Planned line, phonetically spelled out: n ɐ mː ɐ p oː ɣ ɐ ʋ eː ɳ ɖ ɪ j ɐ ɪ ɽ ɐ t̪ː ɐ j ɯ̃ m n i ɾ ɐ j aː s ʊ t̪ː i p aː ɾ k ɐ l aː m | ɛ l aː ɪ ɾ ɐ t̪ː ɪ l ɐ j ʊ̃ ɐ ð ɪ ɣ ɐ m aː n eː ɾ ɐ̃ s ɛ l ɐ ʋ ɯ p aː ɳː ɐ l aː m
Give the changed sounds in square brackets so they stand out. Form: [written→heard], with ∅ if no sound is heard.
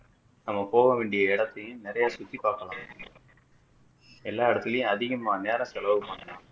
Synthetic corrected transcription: n ɐ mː ɐ p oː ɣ ɐ ʋ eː ɳ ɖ ɪ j ɐ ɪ ɽ ɐ t̪ː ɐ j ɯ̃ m n [i→ɪ] ɾ ɐ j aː s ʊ t̪ː i p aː ɾ k ɐ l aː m | ɛ [l→lː] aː ɪ [ɾ→ɽ] ɐ t̪ː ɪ l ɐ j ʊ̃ ɐ ð ɪ ɣ ɐ m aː n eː ɾ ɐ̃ s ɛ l ɐ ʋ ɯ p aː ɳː ɐ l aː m